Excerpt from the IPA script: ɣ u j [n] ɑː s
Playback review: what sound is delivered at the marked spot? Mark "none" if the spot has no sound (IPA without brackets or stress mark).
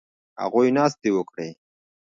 n